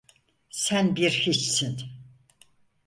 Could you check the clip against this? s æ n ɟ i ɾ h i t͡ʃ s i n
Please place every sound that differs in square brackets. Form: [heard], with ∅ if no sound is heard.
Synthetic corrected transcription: s æ n [b] i ɾ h i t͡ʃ s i n

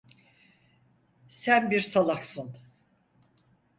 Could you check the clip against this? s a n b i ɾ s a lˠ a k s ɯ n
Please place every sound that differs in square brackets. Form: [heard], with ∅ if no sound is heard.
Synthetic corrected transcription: s [æ] n b i ɾ s a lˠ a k s ɯ n

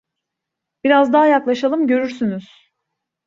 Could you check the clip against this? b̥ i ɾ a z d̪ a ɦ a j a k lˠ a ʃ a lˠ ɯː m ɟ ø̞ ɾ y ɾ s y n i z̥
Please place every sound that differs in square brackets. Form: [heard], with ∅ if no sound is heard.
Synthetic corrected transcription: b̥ i ɾ a z d̪ a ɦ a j a k lˠ a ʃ a lˠ [ɯ] m ɟ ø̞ ɾ y ɾ s y n [y] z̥

